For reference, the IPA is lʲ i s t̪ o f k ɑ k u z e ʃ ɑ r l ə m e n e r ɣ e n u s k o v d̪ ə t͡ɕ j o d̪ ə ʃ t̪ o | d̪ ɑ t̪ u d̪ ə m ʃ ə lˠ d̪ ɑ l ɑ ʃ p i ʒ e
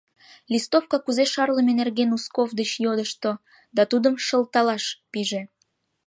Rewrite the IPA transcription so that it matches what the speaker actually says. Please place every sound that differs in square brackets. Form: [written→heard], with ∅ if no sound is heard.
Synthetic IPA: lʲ i s t̪ o f k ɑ k u z e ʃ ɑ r l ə m e n e r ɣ e n u s k o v d̪ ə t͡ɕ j o d̪ ə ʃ t̪ o | d̪ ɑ t̪ u d̪ ə m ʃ ə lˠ [d̪→t̪] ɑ l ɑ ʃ p i ʒ e

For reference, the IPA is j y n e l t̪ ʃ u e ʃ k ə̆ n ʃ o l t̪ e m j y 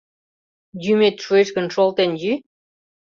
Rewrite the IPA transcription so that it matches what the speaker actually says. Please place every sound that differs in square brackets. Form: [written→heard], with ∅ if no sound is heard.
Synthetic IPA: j y [n→m] e [l→∅] t̪ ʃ u e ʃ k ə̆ n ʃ o l t̪ e [m→n] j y

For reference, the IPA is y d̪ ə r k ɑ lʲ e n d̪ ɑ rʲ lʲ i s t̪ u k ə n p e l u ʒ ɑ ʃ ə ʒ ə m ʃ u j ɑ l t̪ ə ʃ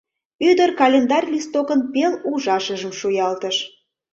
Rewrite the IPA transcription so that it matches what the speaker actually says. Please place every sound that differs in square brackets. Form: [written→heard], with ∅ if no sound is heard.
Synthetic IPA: y d̪ ə r k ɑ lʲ e n d̪ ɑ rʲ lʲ i s t̪ [u→o] k ə n p e l u ʒ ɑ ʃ ə ʒ ə m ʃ u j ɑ l t̪ ə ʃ

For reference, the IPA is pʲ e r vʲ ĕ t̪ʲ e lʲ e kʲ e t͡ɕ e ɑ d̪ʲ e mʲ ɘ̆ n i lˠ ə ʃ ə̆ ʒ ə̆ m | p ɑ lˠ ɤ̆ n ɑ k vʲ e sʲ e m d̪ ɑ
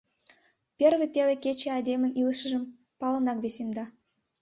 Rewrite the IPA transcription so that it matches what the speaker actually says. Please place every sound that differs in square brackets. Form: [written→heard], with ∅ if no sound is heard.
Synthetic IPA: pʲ e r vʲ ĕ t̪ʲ e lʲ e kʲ e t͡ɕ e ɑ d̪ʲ e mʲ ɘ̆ n i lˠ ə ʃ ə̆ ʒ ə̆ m | p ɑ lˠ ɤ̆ n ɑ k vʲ e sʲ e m d̪ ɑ

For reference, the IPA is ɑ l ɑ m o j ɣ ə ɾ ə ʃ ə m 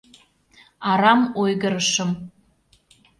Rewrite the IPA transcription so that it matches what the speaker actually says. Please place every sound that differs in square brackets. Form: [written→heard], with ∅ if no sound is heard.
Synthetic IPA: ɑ [l→ɾ] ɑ m o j ɣ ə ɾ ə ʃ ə m

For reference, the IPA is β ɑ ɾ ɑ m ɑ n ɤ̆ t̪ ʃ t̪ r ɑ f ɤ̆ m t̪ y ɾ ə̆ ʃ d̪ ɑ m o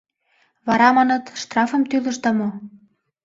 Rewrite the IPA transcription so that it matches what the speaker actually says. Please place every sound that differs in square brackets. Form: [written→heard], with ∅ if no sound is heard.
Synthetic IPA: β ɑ ɾ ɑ m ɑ n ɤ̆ t̪ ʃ t̪ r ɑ f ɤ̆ m t̪ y [ɾ→l] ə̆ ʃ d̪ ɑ m o

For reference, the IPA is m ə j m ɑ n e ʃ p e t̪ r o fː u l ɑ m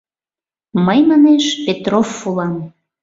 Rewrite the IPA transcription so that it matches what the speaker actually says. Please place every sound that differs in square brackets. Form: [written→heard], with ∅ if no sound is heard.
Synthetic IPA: m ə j m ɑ n e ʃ p e t̪ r o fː u l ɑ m

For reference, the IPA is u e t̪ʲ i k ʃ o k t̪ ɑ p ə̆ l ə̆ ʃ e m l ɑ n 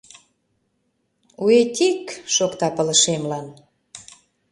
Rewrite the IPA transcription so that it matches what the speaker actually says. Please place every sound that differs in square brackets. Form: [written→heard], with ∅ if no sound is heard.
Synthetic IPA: u e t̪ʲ i k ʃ o k t̪ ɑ p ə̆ l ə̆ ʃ e m l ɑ n

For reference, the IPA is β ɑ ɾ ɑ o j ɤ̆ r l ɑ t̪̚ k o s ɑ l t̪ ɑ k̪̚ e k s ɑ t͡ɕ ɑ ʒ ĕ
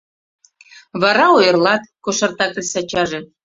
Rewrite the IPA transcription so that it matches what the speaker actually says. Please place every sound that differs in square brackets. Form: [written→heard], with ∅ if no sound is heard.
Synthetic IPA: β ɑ ɾ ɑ o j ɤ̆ r l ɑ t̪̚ k o [s→ʃ] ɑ [l→r] t̪ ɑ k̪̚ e [k→∅] s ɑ t͡ɕ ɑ ʒ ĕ

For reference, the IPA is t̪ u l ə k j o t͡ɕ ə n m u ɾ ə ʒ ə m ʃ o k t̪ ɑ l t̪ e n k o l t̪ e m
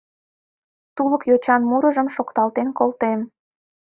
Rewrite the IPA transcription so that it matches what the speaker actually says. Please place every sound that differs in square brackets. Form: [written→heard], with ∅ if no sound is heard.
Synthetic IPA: t̪ u l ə k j o t͡ɕ [ə→ɑ] n m u ɾ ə ʒ ə m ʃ o k t̪ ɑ l t̪ e n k o l t̪ e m

